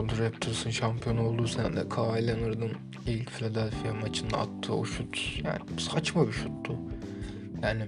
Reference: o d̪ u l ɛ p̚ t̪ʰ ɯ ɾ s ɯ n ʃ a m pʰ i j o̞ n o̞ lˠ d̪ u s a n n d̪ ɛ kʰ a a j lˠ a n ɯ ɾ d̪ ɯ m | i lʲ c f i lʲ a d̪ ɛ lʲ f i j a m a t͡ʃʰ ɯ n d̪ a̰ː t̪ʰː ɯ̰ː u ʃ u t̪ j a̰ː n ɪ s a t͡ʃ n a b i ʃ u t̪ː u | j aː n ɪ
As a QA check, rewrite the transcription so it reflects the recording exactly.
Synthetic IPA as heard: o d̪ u ɾ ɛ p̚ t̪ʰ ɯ ɾ s ɯ n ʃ a m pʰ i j o̞ n o̞ lˠ d̪ u s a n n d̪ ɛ kʰ a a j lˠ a n ɯ ɾ d̪ ɯ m | i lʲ c f i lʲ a d̪ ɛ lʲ f i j a m a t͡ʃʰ ɯ n d̪ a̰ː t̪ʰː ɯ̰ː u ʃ u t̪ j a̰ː n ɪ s a t͡ʃ m a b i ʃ u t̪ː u | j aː n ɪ